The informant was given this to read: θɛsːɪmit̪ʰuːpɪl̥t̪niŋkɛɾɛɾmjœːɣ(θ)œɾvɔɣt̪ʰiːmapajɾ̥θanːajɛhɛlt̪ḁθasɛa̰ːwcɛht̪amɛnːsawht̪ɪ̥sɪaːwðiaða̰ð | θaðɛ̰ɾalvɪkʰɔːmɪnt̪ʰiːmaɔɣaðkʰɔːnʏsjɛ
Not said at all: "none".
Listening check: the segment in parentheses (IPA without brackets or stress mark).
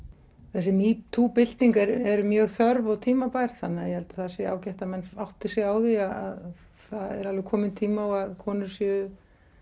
θ